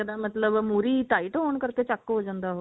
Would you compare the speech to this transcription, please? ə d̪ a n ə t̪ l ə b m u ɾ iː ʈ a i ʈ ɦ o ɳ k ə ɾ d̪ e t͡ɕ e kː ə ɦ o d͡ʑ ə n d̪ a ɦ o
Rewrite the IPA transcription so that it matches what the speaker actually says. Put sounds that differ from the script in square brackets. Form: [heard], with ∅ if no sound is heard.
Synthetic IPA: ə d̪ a [m] ə t̪ l ə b m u ɾ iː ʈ a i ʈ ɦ o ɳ k ə ɾ [t̪] e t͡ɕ [a] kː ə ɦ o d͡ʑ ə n d̪ a ɦ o